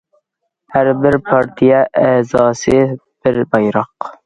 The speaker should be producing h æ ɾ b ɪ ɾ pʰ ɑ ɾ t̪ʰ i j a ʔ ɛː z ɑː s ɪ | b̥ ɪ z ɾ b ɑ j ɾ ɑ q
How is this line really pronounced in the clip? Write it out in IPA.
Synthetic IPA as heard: h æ ɾ b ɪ ɾ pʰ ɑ ɾ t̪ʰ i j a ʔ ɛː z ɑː s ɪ | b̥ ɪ ɾ b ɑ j ɾ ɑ q